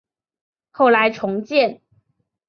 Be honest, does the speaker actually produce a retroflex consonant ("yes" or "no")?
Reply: yes